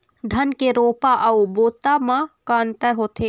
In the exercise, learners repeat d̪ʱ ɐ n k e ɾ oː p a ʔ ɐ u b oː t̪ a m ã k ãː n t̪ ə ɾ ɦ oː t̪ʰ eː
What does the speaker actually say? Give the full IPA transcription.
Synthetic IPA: d̪ʱ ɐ n k e ɾ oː p a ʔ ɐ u b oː t̪ a m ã k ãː n t̪ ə ɾ ɦ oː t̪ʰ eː